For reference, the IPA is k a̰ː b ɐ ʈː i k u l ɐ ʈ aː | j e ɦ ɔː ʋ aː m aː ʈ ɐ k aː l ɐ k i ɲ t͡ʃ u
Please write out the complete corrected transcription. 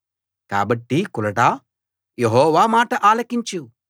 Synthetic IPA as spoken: k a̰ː b ɐ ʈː i k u l ɐ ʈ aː | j e ɦ ɔː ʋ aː m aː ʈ ɐ ʔ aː l ɐ k i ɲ t͡ʃ u